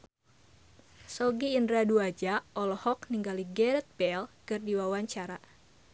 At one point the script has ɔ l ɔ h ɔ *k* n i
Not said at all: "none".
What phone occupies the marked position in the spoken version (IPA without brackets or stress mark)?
k